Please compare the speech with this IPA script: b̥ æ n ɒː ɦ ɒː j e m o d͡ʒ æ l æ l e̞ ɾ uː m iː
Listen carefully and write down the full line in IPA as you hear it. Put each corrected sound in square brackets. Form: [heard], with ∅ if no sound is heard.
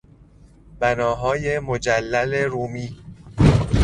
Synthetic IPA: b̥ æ n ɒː ɦ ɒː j e m o d͡ʒ æ [lː] æ l e̞ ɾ uː m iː